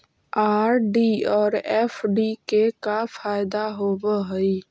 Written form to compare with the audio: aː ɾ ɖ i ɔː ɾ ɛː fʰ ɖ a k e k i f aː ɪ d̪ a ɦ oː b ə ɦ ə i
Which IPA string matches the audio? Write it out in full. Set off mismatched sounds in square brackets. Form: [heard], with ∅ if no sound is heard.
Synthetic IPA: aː ɾ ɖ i ɔː ɾ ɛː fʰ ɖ [i] k e k [a] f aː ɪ d̪ a ɦ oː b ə ɦ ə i

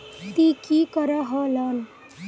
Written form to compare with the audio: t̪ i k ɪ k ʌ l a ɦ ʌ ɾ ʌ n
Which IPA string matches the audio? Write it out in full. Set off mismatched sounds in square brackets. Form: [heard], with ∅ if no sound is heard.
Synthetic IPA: t̪ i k [i] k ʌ [ɾ] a ɦ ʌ [l] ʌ n

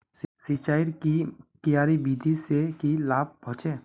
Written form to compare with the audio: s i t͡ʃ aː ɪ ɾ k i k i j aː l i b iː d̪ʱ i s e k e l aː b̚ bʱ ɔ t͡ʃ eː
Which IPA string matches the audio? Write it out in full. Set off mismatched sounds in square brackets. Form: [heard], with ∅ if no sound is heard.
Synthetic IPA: s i t͡ʃ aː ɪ ɾ k i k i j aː [ɾ] i b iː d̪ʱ i s e k [i] l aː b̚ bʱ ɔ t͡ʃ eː

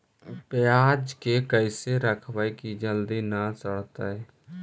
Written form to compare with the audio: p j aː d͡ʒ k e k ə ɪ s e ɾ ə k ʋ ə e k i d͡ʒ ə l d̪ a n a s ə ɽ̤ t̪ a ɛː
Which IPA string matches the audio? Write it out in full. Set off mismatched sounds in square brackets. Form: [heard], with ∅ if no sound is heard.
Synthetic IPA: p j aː d͡ʒ k e k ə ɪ s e ɾ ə [kʰ] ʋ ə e k i d͡ʒ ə l d̪ [i] n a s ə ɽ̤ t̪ a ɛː

